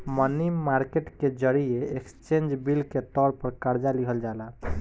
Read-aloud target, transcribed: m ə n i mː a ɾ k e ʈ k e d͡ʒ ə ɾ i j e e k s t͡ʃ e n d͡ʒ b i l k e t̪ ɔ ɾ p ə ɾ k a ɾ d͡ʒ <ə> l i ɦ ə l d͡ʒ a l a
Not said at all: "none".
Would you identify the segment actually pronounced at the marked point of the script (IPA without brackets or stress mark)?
a